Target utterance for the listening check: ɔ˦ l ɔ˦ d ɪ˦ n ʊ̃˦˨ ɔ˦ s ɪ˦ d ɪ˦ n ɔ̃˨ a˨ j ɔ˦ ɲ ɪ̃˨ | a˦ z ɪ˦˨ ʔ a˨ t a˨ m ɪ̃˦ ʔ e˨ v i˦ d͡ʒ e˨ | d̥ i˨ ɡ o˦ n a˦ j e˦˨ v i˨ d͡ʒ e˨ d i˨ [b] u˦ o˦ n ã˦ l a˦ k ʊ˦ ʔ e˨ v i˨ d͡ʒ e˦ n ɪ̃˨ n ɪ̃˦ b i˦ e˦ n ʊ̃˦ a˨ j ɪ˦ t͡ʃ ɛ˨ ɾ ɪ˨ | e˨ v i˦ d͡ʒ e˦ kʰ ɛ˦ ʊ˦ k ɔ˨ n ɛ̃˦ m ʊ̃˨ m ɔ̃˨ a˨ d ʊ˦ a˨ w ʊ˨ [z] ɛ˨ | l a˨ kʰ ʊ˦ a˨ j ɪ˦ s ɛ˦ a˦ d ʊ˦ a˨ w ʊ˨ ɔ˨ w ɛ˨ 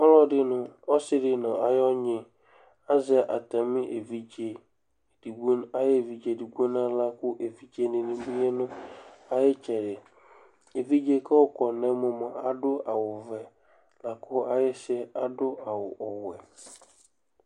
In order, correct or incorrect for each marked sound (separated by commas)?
incorrect, incorrect